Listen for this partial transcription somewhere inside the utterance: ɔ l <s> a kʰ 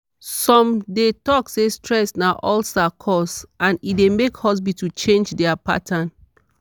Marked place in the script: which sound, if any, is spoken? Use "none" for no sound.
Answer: s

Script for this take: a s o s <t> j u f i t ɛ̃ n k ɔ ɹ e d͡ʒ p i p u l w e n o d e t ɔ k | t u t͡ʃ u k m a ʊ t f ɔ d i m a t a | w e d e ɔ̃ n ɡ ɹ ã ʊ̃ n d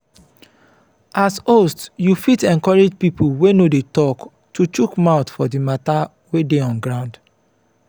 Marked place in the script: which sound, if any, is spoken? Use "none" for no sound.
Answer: t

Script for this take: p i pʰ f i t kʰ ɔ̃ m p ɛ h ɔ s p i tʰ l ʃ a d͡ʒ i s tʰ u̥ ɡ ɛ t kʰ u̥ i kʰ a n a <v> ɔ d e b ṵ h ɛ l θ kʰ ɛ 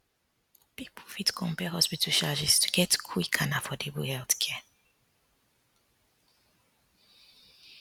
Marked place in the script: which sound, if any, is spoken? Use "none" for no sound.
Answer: f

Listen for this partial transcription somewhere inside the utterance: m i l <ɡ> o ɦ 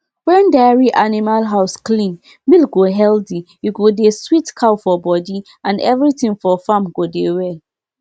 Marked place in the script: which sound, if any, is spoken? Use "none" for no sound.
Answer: ɡ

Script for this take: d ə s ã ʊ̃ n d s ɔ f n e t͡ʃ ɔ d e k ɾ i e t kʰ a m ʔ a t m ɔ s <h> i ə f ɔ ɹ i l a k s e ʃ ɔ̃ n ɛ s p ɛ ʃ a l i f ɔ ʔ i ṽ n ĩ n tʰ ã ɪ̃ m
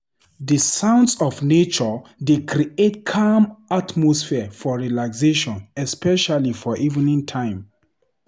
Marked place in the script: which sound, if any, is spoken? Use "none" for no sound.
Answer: f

